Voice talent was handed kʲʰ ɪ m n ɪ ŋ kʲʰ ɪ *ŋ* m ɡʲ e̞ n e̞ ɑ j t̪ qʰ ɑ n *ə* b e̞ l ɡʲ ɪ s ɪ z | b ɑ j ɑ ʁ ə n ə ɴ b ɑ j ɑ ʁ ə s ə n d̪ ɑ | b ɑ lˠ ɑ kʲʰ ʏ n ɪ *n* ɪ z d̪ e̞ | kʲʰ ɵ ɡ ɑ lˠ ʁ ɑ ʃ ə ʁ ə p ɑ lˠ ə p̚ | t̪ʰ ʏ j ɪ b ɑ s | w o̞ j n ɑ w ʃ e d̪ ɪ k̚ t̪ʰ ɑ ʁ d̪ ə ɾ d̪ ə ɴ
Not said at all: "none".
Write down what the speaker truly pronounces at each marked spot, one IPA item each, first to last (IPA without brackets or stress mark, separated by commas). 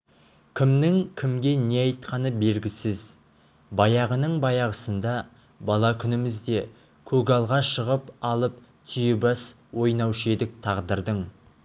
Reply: none, ə, m